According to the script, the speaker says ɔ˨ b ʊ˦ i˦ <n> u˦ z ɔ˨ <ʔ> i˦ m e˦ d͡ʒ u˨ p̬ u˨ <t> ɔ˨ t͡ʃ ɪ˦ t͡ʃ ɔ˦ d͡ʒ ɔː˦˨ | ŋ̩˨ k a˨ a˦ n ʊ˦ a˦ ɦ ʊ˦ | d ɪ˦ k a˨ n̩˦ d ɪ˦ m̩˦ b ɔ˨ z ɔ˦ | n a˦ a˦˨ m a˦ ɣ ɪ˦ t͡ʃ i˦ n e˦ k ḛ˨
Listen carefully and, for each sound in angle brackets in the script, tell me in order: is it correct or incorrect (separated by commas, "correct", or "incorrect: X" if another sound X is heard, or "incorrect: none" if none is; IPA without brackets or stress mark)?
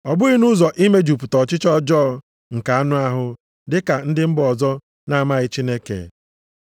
correct, correct, correct